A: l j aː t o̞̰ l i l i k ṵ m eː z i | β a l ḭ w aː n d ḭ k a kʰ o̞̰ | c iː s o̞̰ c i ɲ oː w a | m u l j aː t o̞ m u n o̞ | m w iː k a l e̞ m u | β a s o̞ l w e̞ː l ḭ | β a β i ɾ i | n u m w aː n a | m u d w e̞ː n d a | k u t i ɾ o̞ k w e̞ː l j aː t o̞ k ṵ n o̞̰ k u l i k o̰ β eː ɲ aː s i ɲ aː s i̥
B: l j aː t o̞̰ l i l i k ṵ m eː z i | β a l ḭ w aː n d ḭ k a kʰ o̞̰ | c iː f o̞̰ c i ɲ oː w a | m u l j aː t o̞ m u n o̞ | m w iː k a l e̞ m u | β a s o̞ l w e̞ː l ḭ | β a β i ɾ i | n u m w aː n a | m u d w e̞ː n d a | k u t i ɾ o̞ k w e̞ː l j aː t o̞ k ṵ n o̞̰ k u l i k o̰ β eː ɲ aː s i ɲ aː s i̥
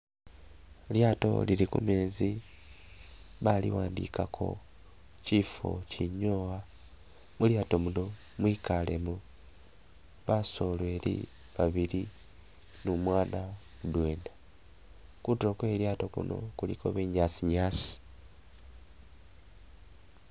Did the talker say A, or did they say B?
B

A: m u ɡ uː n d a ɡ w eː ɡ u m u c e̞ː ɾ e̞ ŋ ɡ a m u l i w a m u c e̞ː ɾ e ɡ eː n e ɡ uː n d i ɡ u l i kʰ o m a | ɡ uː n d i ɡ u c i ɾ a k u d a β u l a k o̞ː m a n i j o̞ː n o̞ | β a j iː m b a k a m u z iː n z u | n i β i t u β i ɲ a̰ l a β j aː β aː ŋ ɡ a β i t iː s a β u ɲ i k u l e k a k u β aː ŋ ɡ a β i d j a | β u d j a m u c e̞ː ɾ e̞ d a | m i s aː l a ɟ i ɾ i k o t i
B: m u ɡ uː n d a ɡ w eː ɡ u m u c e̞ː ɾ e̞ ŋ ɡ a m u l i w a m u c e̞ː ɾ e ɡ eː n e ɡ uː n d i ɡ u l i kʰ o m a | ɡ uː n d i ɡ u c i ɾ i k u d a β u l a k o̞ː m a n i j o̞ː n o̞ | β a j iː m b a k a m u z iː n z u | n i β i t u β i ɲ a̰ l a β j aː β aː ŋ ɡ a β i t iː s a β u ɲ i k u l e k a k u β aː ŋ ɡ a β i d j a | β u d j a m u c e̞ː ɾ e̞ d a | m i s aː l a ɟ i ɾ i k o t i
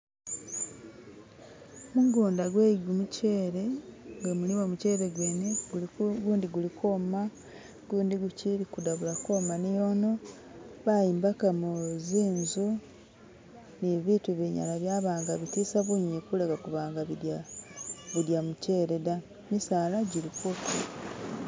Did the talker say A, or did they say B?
B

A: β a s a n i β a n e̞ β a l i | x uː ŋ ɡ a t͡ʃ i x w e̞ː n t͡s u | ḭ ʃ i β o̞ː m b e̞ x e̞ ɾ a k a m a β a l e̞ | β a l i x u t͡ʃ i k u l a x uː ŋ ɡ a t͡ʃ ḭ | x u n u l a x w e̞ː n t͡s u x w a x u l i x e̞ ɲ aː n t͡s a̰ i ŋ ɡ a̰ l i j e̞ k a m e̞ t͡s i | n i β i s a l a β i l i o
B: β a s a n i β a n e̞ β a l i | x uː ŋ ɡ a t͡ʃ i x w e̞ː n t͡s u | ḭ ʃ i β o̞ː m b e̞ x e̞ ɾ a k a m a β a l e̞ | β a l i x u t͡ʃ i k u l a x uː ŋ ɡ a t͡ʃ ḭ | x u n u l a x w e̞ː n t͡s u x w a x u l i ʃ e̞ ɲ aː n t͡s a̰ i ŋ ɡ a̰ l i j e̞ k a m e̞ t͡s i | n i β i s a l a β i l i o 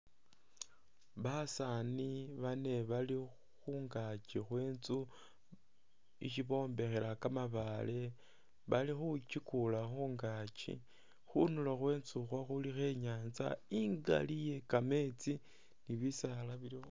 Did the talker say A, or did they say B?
A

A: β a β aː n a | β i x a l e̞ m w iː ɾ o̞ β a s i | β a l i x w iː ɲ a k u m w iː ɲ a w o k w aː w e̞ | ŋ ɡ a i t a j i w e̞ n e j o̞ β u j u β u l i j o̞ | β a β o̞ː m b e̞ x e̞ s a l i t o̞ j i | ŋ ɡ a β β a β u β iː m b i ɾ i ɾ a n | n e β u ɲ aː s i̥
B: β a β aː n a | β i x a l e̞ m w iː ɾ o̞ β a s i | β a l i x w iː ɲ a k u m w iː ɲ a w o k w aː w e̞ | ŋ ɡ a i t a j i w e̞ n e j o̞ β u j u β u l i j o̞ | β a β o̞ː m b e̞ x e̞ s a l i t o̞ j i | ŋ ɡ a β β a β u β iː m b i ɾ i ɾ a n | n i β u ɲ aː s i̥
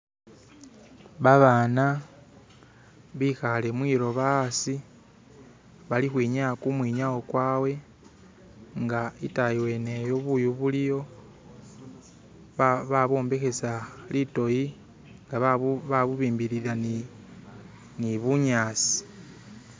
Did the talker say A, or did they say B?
B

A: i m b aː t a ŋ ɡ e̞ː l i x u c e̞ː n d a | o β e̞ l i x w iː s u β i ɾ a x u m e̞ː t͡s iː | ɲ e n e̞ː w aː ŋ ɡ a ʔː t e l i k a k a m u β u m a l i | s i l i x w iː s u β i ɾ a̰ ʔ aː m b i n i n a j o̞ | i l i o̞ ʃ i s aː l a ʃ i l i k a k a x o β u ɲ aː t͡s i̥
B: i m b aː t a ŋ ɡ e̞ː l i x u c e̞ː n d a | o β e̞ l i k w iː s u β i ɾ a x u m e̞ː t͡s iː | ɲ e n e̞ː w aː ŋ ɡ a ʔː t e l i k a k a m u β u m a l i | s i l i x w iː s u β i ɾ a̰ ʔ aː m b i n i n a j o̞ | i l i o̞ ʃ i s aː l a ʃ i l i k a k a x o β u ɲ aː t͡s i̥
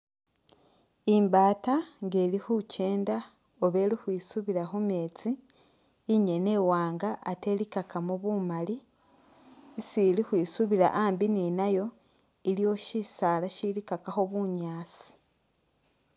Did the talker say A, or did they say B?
A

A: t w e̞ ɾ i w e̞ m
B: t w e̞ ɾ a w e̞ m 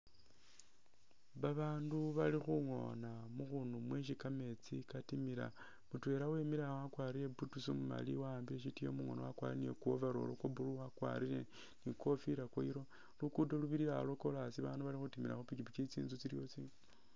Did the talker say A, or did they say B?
B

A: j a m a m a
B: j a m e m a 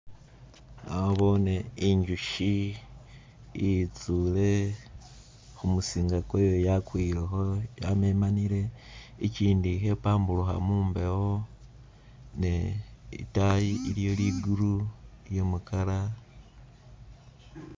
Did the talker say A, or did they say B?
B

